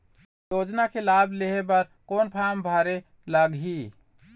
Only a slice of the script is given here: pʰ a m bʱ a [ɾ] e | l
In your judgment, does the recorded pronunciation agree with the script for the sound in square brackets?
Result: yes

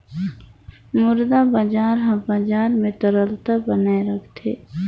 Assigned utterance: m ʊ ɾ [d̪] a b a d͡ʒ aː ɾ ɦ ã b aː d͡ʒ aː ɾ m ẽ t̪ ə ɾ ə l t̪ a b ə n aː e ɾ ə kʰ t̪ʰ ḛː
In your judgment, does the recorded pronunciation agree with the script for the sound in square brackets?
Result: yes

